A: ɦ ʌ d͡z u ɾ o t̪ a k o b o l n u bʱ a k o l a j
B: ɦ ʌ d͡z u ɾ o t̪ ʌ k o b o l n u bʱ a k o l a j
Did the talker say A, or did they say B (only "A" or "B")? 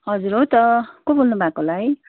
B